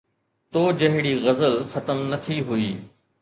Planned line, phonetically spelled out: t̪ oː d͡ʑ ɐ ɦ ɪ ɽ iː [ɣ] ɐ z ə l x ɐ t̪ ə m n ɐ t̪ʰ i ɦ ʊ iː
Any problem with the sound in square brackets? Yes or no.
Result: no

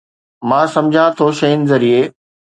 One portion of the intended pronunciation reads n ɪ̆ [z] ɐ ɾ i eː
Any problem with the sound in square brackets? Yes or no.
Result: no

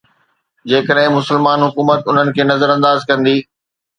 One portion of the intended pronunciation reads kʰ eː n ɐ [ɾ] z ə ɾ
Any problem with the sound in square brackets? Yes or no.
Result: yes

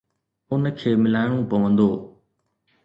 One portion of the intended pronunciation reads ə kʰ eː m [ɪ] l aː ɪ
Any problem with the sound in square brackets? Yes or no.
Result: no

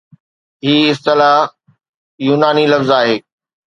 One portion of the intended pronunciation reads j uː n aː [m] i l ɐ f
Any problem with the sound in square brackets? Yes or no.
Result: yes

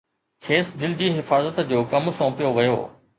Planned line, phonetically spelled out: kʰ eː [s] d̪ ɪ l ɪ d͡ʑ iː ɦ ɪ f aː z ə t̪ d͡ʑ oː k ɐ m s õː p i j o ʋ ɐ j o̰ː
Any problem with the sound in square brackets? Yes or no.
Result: no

